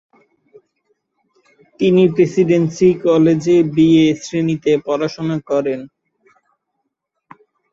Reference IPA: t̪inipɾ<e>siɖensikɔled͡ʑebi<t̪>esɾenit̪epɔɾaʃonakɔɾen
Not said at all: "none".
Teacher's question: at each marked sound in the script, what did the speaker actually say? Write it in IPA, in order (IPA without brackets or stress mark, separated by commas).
e, none